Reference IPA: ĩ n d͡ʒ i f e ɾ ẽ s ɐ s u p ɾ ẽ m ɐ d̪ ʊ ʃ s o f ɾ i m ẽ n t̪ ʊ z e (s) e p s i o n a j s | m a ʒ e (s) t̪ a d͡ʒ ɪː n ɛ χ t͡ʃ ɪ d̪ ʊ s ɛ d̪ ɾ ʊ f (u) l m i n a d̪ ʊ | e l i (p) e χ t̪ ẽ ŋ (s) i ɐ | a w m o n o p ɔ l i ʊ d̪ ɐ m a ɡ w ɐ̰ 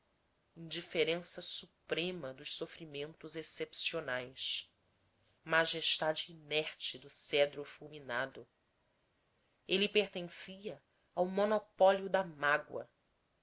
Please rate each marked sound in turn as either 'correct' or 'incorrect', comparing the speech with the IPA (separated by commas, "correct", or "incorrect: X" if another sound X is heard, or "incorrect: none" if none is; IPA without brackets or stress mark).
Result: correct, incorrect: ʃ, correct, correct, correct